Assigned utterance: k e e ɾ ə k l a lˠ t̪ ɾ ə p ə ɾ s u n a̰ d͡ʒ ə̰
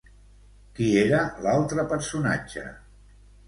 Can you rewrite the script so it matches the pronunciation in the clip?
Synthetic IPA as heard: k i e ɾ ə l a lˠ t̪ ɾ ə p ə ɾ s u n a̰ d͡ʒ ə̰